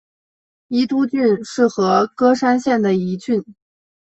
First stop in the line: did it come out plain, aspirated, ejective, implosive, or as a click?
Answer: plain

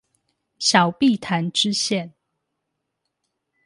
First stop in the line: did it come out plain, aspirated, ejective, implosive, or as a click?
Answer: plain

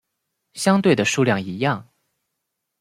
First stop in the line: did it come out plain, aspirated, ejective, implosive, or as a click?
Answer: plain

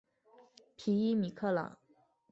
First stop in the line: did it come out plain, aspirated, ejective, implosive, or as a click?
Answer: aspirated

